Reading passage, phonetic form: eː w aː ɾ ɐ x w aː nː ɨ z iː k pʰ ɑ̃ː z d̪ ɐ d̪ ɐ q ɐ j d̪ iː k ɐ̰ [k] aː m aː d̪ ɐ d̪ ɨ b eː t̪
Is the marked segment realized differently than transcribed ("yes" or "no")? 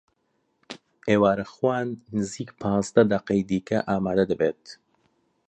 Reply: yes